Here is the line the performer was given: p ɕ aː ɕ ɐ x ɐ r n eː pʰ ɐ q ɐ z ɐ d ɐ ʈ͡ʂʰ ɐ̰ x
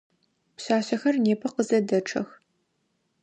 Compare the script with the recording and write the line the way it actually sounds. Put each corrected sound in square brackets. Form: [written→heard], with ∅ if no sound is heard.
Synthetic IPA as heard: p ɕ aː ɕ ɐ x ɐ r n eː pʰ ɐ q [ɐ→ə] z ɐ d ɐ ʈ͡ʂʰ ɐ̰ x